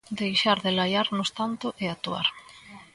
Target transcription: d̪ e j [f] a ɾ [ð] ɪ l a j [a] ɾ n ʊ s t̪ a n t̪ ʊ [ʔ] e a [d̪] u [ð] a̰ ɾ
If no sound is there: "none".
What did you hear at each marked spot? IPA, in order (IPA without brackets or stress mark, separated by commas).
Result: ʃ, ð, a, ʔ, t̪, none